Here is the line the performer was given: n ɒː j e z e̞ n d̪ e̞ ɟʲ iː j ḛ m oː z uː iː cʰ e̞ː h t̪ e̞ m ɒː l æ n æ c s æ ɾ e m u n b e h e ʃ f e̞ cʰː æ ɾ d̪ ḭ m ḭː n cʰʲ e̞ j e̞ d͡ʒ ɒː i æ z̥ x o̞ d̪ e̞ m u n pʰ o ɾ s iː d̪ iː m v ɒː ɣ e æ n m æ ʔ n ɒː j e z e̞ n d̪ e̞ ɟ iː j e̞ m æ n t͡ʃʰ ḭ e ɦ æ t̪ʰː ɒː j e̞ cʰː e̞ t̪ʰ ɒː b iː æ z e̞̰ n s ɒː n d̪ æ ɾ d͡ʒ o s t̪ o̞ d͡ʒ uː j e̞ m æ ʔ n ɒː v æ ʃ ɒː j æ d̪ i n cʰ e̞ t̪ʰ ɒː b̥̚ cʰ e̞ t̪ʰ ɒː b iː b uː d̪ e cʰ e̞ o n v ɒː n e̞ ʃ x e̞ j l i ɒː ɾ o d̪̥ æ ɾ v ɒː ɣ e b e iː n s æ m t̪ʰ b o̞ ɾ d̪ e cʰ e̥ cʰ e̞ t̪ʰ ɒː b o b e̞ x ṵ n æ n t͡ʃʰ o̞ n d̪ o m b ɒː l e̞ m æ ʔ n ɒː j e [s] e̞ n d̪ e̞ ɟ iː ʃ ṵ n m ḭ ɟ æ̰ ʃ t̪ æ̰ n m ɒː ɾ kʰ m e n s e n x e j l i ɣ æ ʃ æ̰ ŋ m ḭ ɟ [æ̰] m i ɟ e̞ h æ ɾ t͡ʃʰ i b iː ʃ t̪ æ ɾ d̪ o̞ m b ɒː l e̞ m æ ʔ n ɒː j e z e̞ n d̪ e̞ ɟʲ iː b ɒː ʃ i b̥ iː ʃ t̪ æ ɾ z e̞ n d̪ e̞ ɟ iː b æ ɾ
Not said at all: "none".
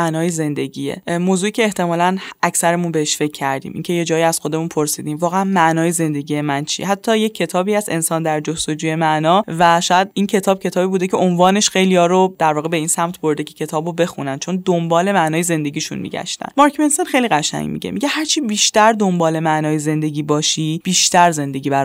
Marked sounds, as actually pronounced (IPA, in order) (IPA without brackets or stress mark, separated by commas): z, ḛ